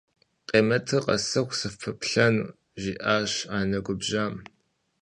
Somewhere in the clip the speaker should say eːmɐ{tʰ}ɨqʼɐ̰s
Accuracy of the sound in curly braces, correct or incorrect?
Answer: correct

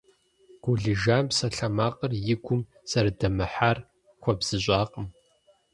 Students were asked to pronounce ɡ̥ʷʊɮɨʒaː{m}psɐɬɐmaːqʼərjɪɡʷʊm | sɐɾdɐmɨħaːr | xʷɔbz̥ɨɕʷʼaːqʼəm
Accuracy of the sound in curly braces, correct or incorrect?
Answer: correct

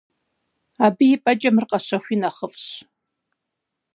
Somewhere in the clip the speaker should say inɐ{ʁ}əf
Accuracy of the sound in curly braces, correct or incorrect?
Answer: incorrect: χ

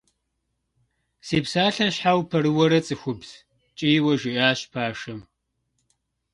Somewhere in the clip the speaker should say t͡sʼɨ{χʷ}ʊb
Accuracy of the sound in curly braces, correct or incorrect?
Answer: incorrect: xʷ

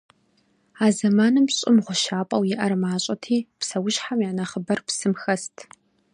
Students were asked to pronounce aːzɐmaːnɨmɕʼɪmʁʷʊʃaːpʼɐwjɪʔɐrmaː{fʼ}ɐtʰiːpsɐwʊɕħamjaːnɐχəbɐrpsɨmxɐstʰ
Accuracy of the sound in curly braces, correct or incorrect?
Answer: incorrect: ɕʼ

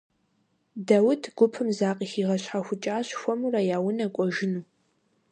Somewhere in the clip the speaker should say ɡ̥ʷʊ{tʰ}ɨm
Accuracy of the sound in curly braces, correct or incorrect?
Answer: incorrect: pʰ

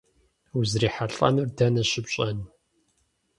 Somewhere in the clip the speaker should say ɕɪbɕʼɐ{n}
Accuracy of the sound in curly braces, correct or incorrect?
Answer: correct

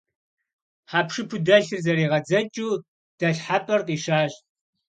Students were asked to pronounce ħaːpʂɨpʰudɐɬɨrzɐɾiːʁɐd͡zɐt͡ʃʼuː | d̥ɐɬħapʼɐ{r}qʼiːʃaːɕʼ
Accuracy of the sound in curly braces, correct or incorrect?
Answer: correct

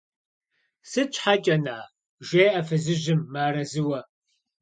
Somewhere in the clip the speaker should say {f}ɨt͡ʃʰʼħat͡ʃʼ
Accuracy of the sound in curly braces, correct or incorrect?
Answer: incorrect: s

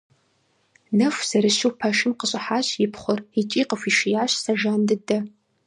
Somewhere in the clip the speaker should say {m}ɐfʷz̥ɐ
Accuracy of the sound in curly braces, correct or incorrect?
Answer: incorrect: n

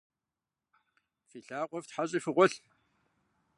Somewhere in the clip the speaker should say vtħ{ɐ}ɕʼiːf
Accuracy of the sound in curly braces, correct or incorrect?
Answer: incorrect: a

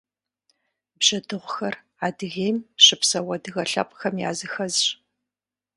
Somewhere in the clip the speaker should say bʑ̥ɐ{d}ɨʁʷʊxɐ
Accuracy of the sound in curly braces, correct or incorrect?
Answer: correct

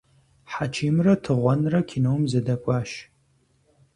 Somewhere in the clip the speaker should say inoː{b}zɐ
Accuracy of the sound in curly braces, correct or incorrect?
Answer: incorrect: m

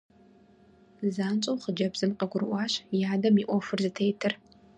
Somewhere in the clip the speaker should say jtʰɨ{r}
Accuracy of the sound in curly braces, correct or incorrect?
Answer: correct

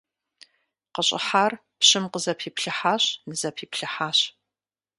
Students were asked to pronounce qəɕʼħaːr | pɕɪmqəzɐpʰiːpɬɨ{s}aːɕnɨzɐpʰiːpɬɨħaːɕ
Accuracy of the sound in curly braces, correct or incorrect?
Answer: incorrect: ħ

